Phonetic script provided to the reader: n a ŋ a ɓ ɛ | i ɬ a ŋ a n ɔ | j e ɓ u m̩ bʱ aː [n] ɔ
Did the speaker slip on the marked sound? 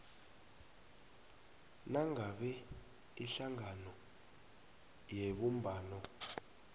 no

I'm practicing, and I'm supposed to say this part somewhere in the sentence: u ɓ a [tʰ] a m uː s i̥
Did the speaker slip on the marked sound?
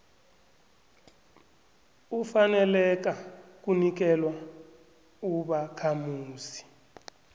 yes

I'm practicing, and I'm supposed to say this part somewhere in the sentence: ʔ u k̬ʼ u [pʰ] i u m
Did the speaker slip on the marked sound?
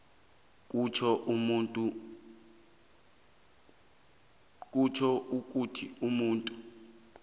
yes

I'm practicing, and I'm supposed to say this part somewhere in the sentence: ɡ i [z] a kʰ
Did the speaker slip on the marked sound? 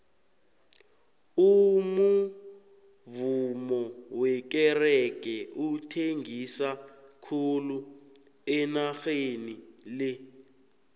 yes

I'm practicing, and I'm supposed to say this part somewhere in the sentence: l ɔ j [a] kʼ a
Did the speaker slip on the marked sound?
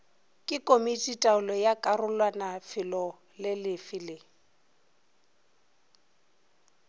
no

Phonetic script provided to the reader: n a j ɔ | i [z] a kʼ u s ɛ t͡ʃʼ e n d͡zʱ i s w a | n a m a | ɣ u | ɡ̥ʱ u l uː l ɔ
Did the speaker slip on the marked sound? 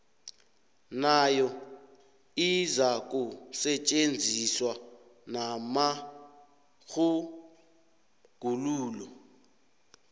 no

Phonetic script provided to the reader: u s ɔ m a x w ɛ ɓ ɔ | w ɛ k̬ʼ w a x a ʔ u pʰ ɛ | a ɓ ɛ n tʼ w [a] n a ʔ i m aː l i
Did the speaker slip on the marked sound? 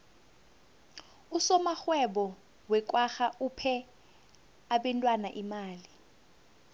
no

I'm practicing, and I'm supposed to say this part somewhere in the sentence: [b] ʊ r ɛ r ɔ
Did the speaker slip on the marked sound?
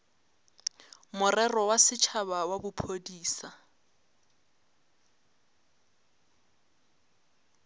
yes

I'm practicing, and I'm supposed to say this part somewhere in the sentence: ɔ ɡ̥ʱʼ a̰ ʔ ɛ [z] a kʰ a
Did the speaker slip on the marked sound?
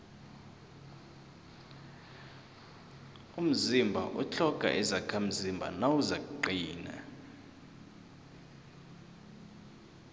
no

